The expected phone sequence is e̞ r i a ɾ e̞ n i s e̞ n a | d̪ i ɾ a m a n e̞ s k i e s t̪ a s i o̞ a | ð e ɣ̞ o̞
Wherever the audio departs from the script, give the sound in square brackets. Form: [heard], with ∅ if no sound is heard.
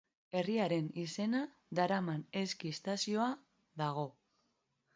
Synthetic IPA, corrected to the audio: e̞ r i a ɾ e̞ n i s e̞ n a | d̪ [a] ɾ a m a n e̞ s k i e s t̪ a s i o̞ a | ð [a] ɣ̞ o̞